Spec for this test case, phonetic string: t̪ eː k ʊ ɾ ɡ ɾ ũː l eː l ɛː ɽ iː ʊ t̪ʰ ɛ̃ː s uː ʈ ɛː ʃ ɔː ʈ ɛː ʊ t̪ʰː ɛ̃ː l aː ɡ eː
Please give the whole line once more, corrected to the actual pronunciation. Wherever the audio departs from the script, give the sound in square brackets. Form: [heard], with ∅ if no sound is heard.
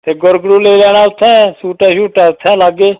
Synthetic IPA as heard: t̪ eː [ɡ] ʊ ɾ ɡ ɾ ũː l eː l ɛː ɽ [aː] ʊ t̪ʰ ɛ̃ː s uː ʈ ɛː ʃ [uː] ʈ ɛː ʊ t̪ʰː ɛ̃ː l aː ɡ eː

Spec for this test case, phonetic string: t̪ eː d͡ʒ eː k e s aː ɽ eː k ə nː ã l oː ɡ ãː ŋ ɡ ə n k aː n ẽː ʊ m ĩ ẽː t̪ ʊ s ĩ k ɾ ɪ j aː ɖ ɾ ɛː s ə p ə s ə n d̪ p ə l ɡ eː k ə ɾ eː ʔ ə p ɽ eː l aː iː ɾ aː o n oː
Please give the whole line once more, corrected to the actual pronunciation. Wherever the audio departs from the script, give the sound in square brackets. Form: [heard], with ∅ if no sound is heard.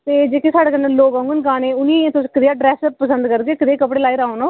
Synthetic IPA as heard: t̪ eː d͡ʒ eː k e s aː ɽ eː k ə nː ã l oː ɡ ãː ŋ ɡ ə n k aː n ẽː ʊ [n] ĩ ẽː t̪ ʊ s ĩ k ɾ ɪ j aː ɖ ɾ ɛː s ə p ə s ə n d̪ [k] ə [ɾ] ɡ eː k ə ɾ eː [k] ə p ɽ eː l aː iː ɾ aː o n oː

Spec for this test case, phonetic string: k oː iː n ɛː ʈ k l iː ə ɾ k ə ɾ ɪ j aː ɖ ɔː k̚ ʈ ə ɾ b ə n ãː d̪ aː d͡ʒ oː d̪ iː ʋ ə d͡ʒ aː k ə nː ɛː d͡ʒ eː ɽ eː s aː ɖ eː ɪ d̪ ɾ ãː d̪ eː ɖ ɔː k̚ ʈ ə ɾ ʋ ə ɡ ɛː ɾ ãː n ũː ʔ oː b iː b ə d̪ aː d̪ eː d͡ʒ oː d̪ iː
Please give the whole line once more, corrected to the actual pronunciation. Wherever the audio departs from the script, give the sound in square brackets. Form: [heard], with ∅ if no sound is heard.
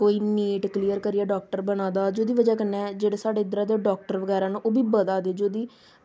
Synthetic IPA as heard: k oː iː n [iː] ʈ k l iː ə ɾ k ə ɾ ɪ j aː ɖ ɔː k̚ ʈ ə ɾ b ə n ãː d̪ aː d͡ʒ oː d̪ iː ʋ ə d͡ʒ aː k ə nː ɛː d͡ʒ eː ɽ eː s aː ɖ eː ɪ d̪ ɾ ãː d̪ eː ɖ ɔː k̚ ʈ ə ɾ ʋ ə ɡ ɛː ɾ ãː n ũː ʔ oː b iː b ə d̪ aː d̪ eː d͡ʒ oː d̪ iː

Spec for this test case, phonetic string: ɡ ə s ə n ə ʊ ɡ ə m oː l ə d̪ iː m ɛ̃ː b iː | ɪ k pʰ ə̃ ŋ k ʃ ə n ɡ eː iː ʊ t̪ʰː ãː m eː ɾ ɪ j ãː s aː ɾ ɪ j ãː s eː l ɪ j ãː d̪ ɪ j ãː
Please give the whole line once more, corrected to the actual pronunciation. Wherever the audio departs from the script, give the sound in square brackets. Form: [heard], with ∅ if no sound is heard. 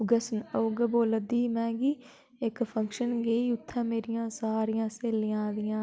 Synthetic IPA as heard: ɡ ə s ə n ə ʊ ɡ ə [b] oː l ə d̪ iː m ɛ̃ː [ɡ] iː | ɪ k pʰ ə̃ ŋ k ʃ ə n ɡ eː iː ʊ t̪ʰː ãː m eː ɾ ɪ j ãː s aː ɾ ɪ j ãː s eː l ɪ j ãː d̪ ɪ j ãː

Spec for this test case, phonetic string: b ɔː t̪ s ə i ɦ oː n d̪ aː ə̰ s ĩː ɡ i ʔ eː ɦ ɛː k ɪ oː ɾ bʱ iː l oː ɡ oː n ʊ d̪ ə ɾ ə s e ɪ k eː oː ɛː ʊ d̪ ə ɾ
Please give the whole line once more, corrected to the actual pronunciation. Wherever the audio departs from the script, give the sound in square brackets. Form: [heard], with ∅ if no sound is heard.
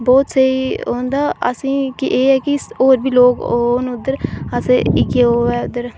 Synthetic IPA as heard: b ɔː t̪ s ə i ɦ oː n d̪ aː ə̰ s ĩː [k] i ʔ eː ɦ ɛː k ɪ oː ɾ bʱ iː l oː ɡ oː n ʊ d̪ ə ɾ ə s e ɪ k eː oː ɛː ʊ d̪ ə ɾ

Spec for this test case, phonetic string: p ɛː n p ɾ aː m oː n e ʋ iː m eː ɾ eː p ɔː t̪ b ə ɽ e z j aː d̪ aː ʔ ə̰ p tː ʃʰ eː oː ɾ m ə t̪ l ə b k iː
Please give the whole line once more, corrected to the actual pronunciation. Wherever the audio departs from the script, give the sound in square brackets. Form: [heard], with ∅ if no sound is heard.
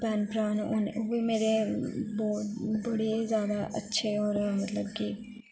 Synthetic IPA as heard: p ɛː n p ɾ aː [n] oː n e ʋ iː m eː ɾ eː [b] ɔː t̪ b ə ɽ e z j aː d̪ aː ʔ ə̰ [∅] tː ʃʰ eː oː ɾ m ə t̪ l ə b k iː

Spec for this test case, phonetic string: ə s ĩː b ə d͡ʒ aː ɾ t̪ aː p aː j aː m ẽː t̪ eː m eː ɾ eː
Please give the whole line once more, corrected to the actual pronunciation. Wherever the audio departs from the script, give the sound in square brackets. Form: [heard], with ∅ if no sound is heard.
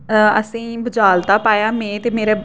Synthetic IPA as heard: ə s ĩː b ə d͡ʒ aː [l] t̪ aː p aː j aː m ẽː t̪ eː m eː ɾ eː

